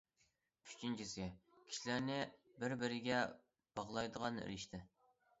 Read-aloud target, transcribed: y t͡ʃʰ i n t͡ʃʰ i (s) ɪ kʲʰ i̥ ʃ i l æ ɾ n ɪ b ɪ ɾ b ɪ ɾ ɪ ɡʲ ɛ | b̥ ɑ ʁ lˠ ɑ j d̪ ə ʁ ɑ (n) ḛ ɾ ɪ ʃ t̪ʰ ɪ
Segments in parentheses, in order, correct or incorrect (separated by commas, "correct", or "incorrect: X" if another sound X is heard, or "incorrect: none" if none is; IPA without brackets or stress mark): correct, correct